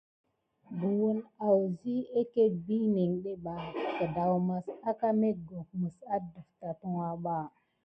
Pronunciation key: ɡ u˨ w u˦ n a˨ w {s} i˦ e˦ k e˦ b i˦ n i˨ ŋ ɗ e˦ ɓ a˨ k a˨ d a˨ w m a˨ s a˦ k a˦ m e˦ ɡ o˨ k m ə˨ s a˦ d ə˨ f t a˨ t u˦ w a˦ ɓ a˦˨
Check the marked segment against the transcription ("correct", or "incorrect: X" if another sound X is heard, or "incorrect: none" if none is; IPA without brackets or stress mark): incorrect: z